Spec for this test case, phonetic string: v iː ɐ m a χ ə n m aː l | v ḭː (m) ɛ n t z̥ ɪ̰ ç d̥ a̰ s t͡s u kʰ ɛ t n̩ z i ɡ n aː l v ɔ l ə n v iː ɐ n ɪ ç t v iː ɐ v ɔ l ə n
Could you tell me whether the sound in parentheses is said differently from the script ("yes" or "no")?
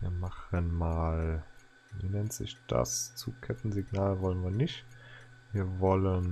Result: yes